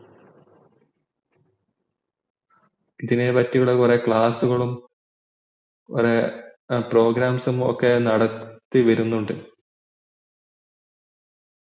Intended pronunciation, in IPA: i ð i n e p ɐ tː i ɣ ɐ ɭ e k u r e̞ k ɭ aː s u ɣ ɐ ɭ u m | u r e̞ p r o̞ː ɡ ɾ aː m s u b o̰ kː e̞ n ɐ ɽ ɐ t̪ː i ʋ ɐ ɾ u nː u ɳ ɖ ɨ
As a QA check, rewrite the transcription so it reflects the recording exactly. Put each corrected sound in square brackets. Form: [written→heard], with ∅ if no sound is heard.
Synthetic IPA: i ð i n e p ɐ tː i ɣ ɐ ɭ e k u r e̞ k ɭ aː s u ɣ ɐ ɭ u m | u r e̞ p r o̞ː ɡ ɾ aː m s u [b→m] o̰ kː e̞ n ɐ ɽ ɐ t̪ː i ʋ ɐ ɾ u nː u ɳ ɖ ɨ